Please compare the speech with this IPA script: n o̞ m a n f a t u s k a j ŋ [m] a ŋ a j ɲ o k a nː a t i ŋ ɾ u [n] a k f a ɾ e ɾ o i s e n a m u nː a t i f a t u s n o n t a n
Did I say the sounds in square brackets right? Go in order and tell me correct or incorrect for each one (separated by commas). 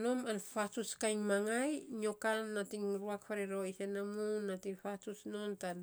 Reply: correct, incorrect